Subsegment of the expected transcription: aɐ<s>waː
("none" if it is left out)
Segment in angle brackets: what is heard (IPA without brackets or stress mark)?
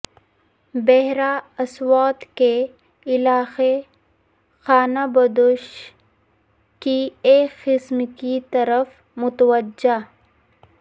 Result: s